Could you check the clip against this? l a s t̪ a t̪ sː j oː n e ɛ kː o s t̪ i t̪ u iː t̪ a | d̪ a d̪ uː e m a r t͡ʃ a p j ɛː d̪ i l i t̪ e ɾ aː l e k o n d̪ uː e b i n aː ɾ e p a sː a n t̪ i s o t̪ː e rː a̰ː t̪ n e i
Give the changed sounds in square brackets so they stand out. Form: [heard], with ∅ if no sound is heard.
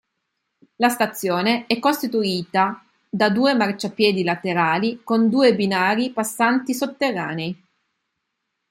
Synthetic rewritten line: l a s t̪ a t̪ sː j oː n e ɛ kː o s t̪ i t̪ u iː t̪ a | d̪ a d̪ uː e m a r t͡ʃ a p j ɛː d̪ i l [a] t̪ e ɾ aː l [i] k o n d̪ uː e b i n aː ɾ [i] p a sː a n t̪ i s o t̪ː e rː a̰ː [∅] n e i

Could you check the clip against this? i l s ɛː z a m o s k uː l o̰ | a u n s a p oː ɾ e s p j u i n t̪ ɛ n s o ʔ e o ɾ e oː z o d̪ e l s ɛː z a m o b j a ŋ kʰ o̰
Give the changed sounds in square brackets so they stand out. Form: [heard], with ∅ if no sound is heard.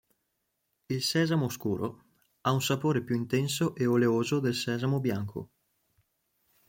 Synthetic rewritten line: i l s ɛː z a m o s k uː [ɾ] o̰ | a u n s a p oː ɾ e [∅] p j u i n t̪ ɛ n s o ʔ e o [l] e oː z o d̪ e l s ɛː z a m o b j a ŋ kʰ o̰

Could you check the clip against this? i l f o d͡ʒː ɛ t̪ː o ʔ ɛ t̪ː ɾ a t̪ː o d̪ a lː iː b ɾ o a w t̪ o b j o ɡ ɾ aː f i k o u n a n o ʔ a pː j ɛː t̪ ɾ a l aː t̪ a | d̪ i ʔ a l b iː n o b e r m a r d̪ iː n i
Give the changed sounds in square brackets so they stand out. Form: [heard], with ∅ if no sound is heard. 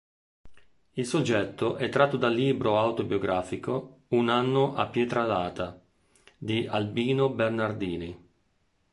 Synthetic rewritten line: i l [s] o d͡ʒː ɛ t̪ː o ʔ ɛ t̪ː ɾ a t̪ː o d̪ a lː iː b ɾ o a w t̪ o b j o ɡ ɾ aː f i k o u n a [nː] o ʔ a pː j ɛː t̪ ɾ a l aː t̪ a | d̪ i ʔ a l b iː n o b e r [n] a r d̪ iː n i

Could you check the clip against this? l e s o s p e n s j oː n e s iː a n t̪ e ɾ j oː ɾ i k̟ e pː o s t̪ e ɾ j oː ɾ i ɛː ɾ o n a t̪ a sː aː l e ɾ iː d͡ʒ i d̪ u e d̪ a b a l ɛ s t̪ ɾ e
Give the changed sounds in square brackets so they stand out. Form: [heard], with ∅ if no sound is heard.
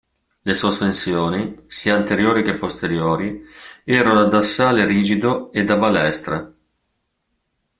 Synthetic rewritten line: l e s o s p e n s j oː n [i] s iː a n t̪ e ɾ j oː ɾ i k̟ e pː o s t̪ e ɾ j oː ɾ i ɛː ɾ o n a [d̪] a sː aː l e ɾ iː d͡ʒ i d̪ [o] e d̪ a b a l ɛ s t̪ ɾ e

